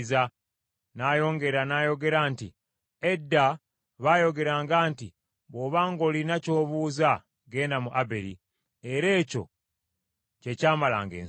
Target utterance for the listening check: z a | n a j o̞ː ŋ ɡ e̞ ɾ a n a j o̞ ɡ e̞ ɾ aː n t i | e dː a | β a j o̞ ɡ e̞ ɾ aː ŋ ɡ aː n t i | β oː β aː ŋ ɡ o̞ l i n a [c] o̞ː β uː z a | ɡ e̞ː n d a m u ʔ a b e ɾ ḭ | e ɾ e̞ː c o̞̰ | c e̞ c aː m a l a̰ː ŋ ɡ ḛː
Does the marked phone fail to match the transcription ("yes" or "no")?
no